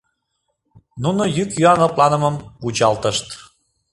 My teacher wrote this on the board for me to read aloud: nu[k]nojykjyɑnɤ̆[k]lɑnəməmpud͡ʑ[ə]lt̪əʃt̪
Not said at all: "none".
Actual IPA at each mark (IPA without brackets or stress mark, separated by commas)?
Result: none, p, ɑ